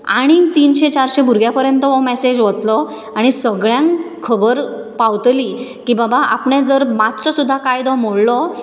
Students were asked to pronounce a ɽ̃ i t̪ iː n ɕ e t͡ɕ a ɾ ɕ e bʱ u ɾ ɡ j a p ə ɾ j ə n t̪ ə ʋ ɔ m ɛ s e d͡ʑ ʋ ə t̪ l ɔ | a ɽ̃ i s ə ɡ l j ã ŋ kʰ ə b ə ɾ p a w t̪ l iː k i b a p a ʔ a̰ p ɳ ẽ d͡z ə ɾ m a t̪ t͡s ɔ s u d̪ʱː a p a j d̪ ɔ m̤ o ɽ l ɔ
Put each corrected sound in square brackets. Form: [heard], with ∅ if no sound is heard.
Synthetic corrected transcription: a ɽ̃ i t̪ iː n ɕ e t͡ɕ a ɾ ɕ e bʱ u ɾ ɡ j a p ə ɾ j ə n t̪ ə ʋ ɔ m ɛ s e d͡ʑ ʋ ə t̪ l ɔ | a ɽ̃ i s ə ɡ [ɭ] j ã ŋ kʰ ə b ə ɾ p a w t̪ l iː k i b a [b] a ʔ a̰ p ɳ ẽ d͡z ə ɾ m a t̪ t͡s ɔ s u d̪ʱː a [k] a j d̪ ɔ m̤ o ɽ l ɔ

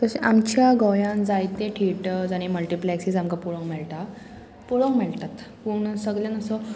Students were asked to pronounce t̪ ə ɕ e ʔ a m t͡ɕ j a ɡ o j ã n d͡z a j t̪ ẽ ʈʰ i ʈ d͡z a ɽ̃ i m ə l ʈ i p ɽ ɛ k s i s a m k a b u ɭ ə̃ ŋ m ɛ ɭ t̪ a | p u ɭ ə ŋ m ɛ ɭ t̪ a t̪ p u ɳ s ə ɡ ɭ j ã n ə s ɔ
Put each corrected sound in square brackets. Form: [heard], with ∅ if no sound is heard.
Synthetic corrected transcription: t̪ ə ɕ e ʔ a m t͡ɕ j a ɡ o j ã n d͡z a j t̪ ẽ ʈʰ i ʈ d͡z a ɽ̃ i m ə l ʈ i p [l] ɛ k s i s a m k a [p] u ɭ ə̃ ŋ m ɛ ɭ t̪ a | p u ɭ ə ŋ m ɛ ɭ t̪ a t̪ p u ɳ s ə ɡ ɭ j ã n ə s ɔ

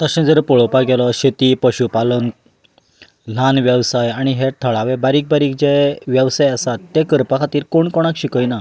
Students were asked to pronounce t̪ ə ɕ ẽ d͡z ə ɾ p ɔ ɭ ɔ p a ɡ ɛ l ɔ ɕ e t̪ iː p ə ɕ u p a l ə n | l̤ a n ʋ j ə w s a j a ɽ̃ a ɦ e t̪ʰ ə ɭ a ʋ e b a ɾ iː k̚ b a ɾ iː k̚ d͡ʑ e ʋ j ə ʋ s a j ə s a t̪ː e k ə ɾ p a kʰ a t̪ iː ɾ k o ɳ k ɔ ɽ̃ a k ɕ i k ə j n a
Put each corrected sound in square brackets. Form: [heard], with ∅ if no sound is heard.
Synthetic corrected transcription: t̪ ə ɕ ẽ d͡z ə ɾ p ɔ ɭ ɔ p a ɡ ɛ l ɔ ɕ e t̪ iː p ə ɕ u p a l ə n | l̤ a n ʋ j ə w s a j a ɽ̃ [i] ɦ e t̪ʰ ə ɭ a ʋ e b a ɾ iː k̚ b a ɾ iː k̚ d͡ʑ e ʋ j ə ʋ s a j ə s a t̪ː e k ə ɾ p a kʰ a t̪ iː ɾ k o ɳ k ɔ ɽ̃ a k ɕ i k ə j n a

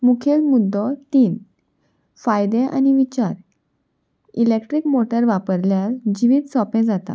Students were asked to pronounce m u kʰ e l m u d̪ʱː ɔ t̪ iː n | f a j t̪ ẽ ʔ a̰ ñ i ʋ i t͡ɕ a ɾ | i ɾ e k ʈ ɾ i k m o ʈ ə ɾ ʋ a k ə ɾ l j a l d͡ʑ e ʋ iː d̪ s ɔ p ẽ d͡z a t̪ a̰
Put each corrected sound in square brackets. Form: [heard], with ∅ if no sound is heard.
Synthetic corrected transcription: m u kʰ e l m u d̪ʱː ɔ t̪ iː n | f a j [d̪] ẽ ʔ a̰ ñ i ʋ i t͡ɕ a ɾ | i [l] e k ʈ ɾ i k m o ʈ ə ɾ ʋ a [p] ə ɾ l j a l d͡ʑ [i] ʋ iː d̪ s ɔ p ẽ d͡z a t̪ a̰

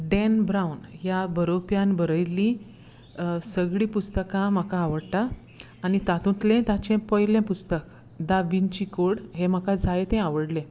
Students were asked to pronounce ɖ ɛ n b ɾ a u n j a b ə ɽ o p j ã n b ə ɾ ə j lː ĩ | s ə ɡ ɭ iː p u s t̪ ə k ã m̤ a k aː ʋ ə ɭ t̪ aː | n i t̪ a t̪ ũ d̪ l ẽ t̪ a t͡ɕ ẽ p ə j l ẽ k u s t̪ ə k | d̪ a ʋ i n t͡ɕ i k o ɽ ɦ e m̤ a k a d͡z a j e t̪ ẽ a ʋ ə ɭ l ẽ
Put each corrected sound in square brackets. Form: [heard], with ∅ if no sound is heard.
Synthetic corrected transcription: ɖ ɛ n b ɾ a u n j a b ə [ɾ] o p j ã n b ə ɾ ə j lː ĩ | s ə ɡ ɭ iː p u s t̪ ə k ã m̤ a k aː ʋ ə [ɽ] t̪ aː | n i t̪ a t̪ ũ [t̪] l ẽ t̪ a t͡ɕ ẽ p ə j l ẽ [p] u s t̪ ə k | d̪ a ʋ i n t͡ɕ i k o ɽ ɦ e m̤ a k a d͡z a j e t̪ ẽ a ʋ ə [ɽ] l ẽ

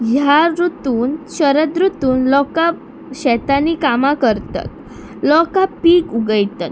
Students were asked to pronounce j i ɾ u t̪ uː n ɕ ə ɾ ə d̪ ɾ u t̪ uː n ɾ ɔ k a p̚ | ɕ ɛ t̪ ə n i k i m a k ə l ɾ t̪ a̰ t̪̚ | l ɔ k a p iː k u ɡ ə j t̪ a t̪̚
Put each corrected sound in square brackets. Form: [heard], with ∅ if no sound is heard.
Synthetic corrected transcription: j [a] ɾ u t̪ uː n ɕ ə ɾ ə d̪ ɾ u t̪ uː n [l] ɔ k a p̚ | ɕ ɛ t̪ [a] n i k [a] m a k ə [∅] ɾ t̪ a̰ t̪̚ | l ɔ k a p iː k u ɡ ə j t̪ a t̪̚

